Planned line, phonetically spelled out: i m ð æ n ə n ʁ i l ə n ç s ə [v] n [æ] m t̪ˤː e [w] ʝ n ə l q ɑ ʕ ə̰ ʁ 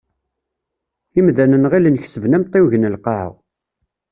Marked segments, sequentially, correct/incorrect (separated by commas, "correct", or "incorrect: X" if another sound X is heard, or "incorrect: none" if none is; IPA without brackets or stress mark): correct, correct, correct